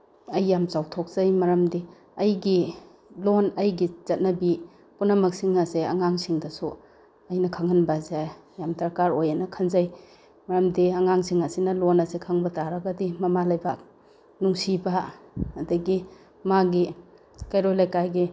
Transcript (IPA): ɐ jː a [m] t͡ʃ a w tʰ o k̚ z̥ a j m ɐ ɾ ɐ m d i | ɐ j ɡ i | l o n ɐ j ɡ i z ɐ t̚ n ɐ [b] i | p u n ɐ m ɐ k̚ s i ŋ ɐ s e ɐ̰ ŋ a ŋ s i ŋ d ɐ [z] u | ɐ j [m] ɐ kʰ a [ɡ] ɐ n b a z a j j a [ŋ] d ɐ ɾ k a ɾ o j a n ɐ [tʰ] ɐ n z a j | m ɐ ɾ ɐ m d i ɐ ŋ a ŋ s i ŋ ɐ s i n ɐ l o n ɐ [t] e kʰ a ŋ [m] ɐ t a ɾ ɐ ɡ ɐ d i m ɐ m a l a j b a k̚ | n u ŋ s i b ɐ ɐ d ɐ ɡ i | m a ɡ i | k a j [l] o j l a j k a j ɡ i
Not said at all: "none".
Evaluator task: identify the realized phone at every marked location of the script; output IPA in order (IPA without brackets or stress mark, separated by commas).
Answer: m, b, s, n, ŋ, m, kʰ, s, b, ɾ